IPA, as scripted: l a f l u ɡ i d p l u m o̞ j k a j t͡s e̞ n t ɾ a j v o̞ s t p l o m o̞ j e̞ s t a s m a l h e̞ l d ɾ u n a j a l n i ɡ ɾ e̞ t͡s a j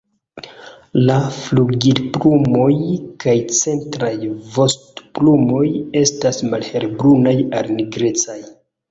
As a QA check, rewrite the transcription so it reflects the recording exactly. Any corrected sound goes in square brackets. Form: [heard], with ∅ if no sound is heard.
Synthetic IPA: l a f l u ɡ i d p l u m o̞ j k a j t͡s e̞ n t ɾ a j v o̞ s t p l [u] m o̞ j e̞ s t a s m a l h e̞ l [b] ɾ u n a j a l n i ɡ ɾ e̞ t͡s a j